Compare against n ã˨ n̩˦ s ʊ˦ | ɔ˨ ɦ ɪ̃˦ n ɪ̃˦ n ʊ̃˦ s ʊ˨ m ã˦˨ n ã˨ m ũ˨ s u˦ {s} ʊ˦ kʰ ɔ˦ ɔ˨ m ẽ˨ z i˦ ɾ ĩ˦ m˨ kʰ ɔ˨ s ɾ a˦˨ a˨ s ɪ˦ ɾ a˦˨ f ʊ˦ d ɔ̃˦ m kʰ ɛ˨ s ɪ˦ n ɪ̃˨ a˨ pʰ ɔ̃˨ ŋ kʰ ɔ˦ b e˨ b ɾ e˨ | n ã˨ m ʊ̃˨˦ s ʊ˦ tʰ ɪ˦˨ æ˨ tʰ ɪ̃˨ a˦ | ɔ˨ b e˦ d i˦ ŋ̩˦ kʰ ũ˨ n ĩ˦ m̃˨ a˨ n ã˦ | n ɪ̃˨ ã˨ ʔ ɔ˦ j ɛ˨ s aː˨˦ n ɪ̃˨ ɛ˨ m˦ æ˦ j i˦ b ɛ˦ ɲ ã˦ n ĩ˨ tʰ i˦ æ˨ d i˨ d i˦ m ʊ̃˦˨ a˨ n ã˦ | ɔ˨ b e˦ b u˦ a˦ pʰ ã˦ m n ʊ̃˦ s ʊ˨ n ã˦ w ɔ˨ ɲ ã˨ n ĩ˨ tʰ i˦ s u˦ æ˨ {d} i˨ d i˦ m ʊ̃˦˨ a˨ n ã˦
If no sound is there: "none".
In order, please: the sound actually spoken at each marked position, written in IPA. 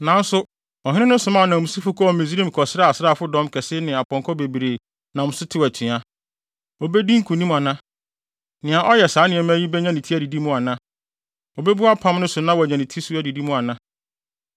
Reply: f, d

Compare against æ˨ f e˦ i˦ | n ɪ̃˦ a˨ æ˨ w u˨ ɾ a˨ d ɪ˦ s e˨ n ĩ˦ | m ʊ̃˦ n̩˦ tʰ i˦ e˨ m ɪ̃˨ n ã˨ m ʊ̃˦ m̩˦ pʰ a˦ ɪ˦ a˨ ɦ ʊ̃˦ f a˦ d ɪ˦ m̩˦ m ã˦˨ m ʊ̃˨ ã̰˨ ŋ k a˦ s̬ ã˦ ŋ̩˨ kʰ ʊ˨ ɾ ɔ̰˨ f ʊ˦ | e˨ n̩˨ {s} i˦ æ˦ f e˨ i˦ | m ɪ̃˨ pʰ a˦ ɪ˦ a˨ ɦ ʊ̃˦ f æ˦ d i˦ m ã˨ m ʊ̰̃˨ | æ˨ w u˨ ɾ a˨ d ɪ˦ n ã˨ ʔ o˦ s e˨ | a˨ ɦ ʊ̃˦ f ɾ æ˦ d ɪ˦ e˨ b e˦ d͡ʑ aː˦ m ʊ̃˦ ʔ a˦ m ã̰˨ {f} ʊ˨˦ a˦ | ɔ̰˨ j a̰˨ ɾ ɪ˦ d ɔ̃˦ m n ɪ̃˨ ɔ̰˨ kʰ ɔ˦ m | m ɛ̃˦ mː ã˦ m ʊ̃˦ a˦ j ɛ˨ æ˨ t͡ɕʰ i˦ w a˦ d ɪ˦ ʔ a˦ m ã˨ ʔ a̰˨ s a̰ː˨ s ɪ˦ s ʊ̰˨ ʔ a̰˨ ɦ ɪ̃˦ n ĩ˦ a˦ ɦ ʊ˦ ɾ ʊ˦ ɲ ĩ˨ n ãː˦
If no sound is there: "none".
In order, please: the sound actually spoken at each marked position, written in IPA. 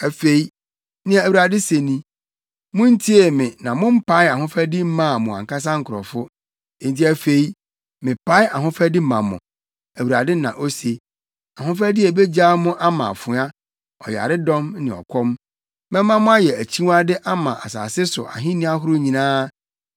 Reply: t, f

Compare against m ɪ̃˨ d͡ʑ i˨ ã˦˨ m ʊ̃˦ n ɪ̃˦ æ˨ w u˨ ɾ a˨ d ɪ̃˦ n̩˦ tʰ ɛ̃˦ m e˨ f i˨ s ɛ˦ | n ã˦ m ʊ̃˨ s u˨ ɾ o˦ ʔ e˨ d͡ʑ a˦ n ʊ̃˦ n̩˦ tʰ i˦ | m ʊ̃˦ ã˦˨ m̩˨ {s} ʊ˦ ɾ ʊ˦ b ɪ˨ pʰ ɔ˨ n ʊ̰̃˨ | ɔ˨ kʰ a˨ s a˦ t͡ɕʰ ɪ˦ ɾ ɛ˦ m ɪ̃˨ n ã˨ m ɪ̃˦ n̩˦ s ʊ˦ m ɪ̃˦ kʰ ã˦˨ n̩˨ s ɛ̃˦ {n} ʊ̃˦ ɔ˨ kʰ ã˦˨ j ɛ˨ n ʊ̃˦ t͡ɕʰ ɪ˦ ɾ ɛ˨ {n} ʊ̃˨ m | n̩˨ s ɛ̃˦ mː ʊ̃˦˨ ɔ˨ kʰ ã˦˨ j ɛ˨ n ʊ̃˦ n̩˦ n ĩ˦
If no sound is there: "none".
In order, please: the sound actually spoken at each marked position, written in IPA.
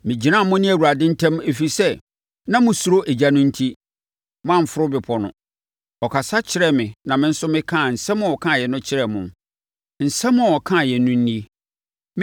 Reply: f, m, m

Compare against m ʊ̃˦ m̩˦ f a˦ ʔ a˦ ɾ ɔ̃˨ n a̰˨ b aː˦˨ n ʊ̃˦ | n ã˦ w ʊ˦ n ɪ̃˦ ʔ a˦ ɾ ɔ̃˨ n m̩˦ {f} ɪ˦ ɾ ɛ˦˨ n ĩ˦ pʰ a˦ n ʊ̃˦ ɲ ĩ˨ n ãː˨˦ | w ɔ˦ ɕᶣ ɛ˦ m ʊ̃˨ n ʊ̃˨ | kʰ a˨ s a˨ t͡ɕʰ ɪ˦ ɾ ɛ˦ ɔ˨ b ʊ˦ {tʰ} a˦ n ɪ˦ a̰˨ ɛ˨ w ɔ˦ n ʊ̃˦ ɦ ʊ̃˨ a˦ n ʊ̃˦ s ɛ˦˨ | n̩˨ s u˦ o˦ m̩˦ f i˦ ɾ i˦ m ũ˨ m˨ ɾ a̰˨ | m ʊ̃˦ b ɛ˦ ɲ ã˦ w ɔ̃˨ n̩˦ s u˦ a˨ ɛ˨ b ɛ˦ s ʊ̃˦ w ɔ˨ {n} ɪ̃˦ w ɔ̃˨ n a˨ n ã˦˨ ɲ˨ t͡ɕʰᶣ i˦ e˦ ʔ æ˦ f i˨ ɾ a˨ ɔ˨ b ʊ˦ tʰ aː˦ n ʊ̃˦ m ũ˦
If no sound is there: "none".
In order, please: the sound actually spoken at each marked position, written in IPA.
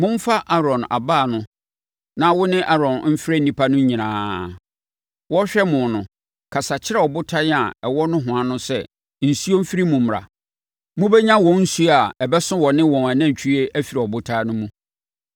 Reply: f, tʰ, n

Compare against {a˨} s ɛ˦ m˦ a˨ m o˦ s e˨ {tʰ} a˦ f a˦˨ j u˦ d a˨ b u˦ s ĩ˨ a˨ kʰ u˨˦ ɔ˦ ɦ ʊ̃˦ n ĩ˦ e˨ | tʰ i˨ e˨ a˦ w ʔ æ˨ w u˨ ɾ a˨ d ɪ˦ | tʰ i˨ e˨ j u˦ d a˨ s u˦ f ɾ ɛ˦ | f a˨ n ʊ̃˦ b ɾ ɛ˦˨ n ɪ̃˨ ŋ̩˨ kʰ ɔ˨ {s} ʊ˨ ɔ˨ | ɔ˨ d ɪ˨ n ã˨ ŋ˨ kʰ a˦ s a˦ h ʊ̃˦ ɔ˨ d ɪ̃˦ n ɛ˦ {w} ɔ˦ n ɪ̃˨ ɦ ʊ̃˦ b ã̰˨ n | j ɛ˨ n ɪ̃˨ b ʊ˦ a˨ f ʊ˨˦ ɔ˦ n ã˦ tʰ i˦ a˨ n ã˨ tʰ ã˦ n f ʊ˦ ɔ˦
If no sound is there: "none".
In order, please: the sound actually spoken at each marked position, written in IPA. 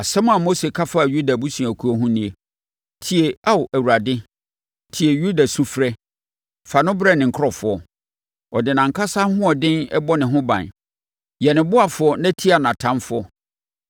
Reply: a˨, kʰ, f, b

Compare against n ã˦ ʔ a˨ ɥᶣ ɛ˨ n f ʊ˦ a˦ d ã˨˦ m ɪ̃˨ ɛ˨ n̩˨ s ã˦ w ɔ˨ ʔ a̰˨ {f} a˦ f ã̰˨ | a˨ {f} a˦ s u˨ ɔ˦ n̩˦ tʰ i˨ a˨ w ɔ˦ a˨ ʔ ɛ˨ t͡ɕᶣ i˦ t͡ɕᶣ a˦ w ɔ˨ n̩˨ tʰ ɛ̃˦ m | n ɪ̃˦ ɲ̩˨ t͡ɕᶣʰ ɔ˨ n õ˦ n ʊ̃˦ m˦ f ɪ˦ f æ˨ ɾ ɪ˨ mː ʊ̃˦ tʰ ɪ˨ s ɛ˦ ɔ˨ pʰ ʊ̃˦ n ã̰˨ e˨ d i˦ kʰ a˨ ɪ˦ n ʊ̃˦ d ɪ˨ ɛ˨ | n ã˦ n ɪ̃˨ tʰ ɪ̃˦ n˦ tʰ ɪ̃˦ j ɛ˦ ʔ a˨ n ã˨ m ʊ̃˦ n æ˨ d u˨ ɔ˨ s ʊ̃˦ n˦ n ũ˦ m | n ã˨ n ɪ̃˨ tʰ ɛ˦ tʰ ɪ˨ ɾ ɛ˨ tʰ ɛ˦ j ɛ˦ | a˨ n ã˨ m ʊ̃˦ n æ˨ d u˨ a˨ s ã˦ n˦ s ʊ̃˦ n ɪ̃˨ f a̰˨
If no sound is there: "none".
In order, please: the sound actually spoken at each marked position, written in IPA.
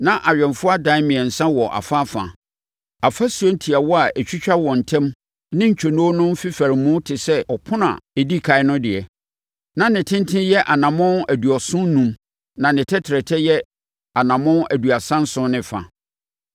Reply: f, f

